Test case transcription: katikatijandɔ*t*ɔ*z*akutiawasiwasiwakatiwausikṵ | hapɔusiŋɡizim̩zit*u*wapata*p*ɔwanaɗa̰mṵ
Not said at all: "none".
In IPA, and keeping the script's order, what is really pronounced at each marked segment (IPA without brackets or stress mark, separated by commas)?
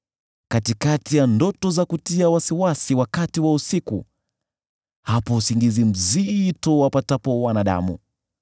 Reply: t, z, ɔ, p